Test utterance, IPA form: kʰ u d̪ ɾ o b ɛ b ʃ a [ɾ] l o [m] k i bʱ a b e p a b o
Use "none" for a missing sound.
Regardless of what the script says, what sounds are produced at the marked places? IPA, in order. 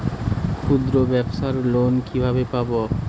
ɾ, n

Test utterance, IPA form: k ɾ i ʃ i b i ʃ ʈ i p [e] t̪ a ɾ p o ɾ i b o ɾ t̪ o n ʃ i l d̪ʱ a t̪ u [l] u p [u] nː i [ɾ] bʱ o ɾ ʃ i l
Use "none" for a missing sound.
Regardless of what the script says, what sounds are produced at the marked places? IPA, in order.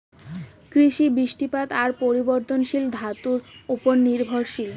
a, ɾ, o, ɾ

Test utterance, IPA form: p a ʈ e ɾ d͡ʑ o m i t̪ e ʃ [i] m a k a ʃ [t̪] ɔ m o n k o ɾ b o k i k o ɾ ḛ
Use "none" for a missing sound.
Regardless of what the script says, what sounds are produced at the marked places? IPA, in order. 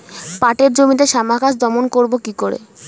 a, d̪

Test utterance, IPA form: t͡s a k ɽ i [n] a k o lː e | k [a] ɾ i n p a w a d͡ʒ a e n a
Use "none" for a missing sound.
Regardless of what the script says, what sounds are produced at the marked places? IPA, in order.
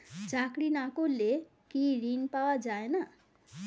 n, i

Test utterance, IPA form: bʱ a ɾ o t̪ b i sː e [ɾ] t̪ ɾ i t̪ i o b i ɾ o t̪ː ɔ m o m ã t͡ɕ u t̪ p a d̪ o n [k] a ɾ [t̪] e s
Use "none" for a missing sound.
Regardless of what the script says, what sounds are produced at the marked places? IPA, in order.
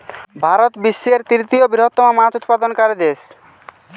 ɾ, k, d̪

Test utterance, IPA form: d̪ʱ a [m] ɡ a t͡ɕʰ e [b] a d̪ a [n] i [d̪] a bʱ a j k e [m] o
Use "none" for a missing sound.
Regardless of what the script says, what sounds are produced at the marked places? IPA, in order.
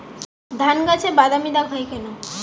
n, b, m, d̪, n

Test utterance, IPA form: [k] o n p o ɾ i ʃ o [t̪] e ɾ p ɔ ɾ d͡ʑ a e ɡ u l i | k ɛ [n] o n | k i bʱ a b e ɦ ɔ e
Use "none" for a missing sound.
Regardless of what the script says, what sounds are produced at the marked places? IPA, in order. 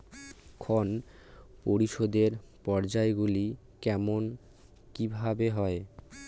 kʰ, d̪, m

